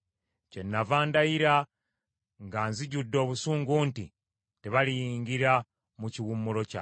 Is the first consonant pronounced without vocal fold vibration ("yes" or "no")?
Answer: yes